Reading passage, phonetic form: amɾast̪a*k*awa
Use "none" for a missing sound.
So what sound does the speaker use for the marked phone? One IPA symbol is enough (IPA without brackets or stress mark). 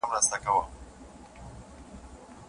k